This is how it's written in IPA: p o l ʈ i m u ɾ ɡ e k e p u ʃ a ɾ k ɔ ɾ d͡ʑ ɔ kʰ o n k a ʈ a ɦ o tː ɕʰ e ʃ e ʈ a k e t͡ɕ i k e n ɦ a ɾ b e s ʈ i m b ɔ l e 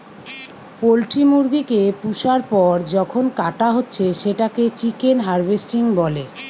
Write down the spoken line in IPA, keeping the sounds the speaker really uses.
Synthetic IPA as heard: p o l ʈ i m u ɾ ɡ i k e p u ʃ a ɾ p ɔ ɾ d͡ʑ ɔ kʰ o n k a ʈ a ɦ o tː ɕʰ e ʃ e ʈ a k e t͡ɕ i k e n ɦ a ɾ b e s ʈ i ŋ b ɔ l e